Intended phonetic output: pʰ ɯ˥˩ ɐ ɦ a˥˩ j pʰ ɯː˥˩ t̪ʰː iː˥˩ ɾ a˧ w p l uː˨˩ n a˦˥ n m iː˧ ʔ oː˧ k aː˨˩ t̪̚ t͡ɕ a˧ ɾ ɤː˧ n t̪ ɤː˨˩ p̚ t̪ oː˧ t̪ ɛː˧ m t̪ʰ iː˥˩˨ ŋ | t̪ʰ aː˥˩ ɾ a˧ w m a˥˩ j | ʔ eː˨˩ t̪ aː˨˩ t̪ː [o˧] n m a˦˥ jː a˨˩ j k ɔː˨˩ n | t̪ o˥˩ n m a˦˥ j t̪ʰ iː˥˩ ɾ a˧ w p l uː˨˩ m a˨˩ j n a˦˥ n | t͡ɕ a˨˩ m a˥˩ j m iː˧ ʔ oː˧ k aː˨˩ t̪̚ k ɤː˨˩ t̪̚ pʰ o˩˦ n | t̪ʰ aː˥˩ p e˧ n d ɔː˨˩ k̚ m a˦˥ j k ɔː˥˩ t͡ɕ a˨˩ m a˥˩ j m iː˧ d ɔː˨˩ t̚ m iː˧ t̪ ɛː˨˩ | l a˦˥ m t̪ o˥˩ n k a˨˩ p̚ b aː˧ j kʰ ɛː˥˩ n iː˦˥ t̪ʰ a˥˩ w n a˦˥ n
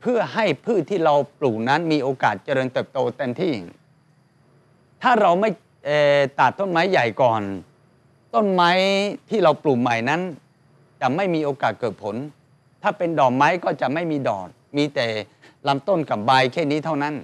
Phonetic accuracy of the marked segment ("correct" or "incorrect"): incorrect